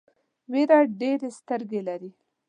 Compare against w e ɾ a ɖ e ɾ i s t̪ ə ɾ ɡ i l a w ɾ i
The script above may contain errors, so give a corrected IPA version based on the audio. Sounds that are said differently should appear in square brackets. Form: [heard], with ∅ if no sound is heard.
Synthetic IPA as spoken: w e ɾ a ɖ e ɾ [e] s t̪ ə ɾ ɡ [e] l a [∅] ɾ i